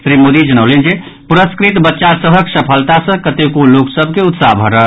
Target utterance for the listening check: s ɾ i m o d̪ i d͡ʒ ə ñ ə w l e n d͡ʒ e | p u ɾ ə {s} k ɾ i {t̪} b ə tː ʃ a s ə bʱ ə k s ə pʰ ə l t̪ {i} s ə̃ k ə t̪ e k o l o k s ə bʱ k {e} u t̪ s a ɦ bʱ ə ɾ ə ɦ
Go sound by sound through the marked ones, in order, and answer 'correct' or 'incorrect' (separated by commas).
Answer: correct, correct, incorrect, correct